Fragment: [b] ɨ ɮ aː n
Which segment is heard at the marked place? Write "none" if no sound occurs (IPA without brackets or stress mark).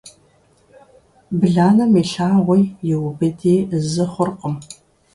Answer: b